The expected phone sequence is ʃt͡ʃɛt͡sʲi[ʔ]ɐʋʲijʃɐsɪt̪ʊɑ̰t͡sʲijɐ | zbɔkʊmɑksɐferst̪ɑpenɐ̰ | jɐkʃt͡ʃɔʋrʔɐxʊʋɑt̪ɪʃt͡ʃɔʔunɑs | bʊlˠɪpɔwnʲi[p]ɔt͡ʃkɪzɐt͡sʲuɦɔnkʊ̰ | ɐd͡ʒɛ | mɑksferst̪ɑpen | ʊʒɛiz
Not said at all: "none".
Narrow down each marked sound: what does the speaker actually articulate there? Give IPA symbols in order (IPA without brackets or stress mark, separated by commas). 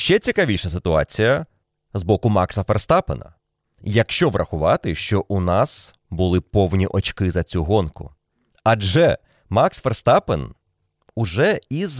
k, ʔ